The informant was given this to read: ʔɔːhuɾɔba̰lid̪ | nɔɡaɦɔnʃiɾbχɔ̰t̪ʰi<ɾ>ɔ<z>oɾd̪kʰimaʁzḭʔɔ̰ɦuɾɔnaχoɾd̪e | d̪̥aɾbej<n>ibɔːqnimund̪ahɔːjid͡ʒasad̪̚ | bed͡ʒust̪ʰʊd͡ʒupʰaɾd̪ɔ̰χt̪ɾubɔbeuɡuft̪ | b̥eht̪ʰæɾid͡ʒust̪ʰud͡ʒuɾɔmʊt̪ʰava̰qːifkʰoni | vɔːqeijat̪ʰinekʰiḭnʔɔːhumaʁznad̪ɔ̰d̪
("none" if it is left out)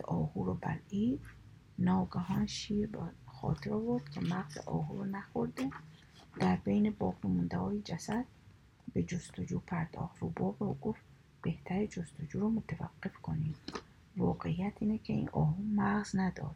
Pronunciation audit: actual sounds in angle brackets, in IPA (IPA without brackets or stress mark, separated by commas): ɾ, v, n